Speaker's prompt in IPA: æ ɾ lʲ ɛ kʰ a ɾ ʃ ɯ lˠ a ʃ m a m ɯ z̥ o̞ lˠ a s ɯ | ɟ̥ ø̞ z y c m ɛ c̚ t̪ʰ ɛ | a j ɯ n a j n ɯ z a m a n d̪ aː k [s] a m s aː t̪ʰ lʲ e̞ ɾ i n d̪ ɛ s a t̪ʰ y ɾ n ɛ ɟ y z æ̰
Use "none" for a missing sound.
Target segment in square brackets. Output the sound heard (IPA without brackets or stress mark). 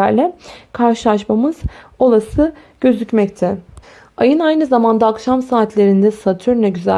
ʃ